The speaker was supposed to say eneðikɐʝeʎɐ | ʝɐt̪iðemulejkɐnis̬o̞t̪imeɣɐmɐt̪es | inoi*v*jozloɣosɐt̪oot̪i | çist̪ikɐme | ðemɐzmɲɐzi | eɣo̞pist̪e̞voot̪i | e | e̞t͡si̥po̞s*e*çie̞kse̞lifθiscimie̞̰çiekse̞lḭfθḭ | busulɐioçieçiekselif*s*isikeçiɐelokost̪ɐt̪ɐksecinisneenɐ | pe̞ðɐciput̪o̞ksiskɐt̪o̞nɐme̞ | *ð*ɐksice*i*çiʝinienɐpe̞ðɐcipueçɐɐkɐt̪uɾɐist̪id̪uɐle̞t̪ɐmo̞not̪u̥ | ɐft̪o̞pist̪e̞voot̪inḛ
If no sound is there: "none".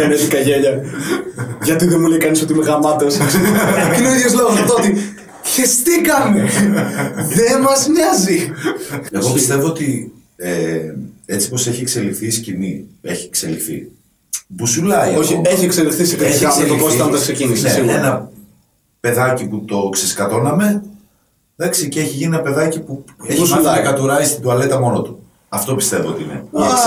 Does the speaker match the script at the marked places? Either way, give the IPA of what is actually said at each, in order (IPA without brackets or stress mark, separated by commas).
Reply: ð, e, θ, ð, e